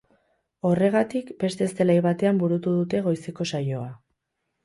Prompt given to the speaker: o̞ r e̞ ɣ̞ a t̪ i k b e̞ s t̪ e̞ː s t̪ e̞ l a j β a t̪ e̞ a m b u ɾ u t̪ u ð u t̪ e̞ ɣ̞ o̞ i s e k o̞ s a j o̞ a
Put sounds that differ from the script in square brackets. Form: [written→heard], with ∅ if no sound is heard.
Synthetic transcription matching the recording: o̞ r e̞ ɣ̞ a t̪ i k b e̞ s t̪ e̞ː s t̪ e̞ l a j β a t̪ e̞ a m b u ɾ u t̪ u ð u t̪ e̞ ɣ̞ o̞ [i→j] s e k o̞ s a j o̞ a